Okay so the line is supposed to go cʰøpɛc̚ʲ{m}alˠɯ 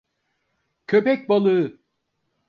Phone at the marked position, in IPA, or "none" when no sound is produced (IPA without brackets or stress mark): b